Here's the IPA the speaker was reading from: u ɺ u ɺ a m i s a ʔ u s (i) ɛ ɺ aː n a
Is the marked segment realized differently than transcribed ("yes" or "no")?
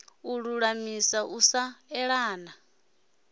yes